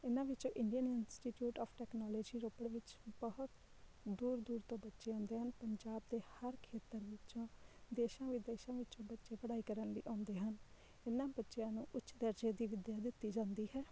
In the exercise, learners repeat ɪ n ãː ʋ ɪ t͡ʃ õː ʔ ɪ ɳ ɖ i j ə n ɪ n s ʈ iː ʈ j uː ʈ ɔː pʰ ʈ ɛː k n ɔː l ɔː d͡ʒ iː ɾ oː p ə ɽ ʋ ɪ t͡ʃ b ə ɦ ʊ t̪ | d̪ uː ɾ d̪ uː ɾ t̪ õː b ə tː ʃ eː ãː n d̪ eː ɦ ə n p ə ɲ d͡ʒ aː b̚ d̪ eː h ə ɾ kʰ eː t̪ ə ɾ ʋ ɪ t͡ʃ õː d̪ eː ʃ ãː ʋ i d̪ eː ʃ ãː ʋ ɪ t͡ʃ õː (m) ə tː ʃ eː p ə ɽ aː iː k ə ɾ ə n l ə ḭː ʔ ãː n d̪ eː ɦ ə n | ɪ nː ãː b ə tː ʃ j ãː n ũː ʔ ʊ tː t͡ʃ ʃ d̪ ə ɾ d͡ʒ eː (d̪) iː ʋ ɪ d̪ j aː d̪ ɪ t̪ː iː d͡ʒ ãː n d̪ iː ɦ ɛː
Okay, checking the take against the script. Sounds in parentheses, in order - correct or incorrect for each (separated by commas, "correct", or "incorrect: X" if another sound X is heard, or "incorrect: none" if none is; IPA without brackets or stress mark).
incorrect: b, correct